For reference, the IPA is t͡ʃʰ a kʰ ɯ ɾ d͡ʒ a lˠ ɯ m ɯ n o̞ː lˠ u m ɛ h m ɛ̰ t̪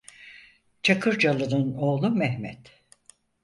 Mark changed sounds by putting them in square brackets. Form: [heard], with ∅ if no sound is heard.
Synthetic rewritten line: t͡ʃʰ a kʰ ɯ ɾ d͡ʒ a lˠ ɯ [n] ɯ n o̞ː lˠ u m ɛ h m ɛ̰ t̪